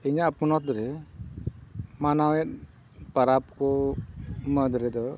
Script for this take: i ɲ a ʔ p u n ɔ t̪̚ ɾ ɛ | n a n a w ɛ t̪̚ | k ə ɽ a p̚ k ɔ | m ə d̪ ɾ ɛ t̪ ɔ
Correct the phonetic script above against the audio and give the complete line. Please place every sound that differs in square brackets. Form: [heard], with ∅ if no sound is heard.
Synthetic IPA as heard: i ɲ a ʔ p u n ɔ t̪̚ ɾ ɛ | [m] a n a w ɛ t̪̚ | [p] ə [ɾ] a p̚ k ɔ | m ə d̪ ɾ ɛ [d̪] ɔ